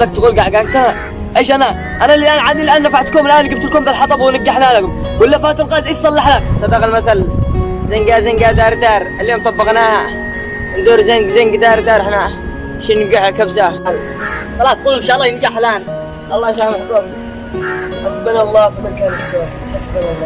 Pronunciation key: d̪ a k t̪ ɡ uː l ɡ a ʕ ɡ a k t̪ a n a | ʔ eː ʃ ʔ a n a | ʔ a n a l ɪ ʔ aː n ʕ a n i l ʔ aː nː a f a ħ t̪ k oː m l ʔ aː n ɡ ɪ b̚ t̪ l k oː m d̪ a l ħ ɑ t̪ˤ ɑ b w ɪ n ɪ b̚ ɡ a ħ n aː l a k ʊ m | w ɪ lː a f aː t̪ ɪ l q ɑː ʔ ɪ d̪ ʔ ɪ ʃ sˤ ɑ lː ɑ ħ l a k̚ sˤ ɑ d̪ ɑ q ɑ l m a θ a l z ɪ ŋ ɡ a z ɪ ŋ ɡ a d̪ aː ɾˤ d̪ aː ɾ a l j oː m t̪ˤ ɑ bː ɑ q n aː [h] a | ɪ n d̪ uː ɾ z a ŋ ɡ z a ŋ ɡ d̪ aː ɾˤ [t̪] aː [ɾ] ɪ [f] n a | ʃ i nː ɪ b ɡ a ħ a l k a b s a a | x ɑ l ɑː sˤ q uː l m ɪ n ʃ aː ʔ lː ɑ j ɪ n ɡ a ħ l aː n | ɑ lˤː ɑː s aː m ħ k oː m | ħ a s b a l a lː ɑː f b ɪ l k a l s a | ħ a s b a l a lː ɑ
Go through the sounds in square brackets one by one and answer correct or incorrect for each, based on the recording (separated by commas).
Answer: correct, incorrect, correct, incorrect